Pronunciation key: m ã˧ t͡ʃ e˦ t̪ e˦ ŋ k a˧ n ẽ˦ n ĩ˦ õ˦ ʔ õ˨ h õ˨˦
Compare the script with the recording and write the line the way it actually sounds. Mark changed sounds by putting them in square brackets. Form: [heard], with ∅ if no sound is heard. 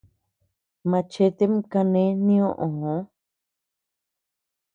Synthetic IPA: m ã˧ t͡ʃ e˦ t̪ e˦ [m] k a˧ n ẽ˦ n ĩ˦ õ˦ ʔ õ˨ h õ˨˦